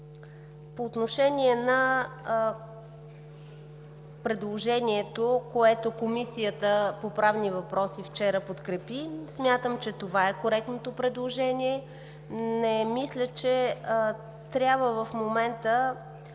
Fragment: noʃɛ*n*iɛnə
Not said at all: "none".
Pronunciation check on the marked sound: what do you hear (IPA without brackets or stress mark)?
n